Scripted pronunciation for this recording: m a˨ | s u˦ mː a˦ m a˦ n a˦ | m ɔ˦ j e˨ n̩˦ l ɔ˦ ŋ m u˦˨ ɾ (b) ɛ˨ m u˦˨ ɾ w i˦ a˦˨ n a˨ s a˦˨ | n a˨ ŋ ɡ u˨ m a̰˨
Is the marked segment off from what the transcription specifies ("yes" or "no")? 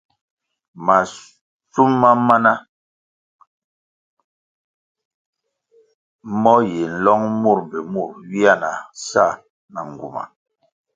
no